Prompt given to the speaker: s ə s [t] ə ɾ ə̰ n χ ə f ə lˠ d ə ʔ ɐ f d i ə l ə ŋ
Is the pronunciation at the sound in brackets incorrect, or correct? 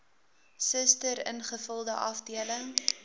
correct